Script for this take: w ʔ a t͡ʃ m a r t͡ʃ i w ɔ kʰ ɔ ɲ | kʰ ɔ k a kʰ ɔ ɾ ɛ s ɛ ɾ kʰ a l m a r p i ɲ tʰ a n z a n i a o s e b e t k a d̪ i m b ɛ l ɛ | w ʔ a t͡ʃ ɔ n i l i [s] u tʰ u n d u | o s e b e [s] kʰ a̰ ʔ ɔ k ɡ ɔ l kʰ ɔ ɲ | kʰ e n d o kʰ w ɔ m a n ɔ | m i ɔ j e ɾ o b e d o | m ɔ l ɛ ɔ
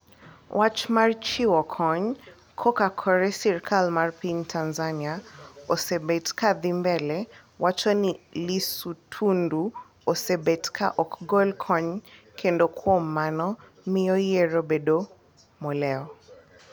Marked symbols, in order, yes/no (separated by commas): yes, no